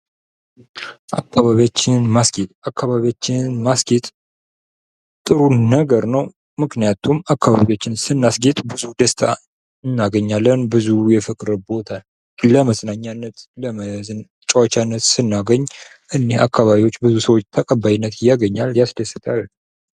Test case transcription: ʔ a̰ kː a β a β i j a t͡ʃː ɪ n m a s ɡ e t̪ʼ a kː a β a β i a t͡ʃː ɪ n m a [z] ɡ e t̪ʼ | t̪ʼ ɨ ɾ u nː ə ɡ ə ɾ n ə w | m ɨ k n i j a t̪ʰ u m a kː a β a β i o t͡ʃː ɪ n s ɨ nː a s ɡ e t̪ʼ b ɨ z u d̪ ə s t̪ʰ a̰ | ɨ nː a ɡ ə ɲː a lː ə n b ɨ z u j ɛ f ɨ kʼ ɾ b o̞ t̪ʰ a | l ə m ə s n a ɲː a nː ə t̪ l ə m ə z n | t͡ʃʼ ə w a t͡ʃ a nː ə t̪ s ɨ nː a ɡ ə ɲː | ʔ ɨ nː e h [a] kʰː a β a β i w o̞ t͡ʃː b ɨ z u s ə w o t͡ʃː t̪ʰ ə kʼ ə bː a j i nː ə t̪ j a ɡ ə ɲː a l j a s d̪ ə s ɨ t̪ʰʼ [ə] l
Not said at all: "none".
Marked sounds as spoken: s, a, a

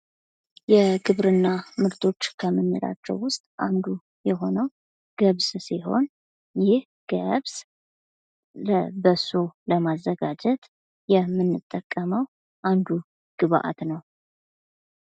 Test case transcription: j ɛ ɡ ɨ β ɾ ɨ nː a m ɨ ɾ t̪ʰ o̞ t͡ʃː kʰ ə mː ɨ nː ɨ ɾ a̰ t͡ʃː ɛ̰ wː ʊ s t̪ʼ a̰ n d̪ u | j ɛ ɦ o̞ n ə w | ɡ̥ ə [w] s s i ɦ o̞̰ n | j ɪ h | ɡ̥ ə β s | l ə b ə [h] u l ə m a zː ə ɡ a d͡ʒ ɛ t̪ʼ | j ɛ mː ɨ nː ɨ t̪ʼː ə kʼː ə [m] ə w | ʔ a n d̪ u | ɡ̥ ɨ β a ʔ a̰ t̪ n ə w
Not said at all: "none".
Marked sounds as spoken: β, s, m

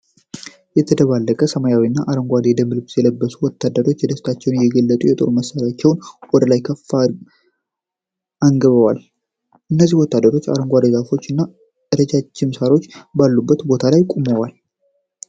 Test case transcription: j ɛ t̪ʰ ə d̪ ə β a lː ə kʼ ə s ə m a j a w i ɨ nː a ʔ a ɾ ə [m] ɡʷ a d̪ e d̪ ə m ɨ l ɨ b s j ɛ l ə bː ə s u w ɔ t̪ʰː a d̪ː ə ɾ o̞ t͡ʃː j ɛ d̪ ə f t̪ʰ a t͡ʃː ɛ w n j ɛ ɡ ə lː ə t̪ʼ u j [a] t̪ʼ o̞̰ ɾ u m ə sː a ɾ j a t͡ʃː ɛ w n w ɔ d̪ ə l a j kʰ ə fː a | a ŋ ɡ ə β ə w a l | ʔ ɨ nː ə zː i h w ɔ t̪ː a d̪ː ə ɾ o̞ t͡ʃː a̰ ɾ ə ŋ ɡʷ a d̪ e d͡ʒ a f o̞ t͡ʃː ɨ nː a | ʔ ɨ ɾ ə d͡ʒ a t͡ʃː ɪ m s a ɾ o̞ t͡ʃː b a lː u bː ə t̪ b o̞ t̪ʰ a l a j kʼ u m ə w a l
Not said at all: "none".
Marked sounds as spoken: ŋ, ɛ

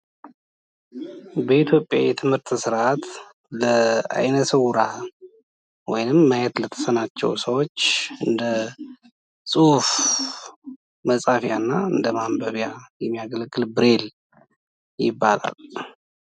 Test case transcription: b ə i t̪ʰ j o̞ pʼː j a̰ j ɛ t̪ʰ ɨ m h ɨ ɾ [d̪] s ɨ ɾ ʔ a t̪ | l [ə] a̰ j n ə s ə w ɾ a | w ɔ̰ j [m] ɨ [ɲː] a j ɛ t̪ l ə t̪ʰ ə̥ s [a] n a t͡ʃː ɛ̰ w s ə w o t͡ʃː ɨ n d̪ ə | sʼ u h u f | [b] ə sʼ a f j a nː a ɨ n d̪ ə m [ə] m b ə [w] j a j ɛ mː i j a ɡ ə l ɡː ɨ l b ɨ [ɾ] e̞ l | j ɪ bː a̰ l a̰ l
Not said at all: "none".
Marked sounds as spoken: t̪, ə, n, mː, ə, m, a, β, ɾ

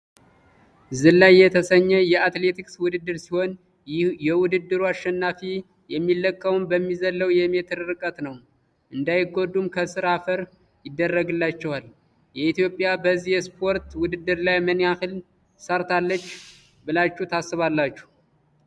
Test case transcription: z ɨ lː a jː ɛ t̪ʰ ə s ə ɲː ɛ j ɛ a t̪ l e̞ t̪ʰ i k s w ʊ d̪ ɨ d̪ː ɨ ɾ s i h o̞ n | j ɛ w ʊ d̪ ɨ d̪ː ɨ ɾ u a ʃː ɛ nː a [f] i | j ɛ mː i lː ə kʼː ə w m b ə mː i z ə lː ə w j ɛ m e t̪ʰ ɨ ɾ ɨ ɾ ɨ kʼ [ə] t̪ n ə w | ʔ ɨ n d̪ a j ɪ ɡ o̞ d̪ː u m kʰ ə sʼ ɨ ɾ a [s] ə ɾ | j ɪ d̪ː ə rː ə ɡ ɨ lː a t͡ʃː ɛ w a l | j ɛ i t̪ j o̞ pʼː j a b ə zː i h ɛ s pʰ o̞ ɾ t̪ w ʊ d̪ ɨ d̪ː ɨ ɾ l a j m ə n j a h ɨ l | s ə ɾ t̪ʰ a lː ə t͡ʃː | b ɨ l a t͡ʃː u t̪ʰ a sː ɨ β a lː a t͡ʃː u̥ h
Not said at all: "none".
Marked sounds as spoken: f, ə, f

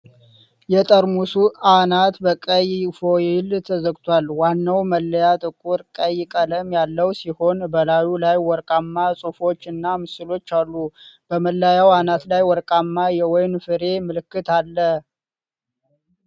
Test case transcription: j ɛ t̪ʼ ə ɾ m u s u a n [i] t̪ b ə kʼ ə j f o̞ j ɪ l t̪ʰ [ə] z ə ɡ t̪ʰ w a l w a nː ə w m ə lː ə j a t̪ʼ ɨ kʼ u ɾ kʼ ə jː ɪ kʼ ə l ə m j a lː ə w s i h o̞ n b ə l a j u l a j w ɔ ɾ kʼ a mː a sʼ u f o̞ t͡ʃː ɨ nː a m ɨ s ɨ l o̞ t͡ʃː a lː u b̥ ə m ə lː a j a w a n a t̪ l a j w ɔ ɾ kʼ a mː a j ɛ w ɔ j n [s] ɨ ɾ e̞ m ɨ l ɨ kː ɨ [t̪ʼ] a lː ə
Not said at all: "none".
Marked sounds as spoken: a, ə, f, t̪

